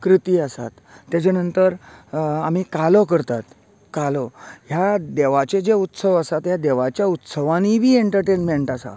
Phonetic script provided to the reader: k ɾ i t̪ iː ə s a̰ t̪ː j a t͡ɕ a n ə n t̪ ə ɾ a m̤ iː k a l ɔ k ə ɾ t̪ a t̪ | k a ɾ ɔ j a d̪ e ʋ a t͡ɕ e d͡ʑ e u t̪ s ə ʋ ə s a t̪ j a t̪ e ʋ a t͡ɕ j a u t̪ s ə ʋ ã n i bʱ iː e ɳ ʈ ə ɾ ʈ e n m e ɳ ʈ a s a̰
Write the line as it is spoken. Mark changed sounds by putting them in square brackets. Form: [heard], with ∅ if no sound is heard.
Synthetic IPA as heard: k ɾ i t̪ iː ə s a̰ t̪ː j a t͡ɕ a n ə n t̪ ə ɾ a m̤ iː k a l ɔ k ə ɾ t̪ a t̪ | k a [l] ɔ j a d̪ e ʋ a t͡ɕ e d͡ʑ e u t̪ s ə ʋ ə s a t̪ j a [d̪] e ʋ a t͡ɕ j a u t̪ s ə ʋ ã n i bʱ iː e ɳ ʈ ə ɾ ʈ e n m e ɳ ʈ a s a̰